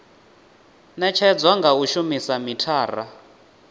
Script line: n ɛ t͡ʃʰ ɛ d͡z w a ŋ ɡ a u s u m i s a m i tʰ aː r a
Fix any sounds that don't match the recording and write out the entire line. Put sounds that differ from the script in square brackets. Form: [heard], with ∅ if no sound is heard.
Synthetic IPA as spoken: n ɛ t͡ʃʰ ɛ d͡z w a ŋ ɡ a u [ʃ] u m i s a m i tʰ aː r a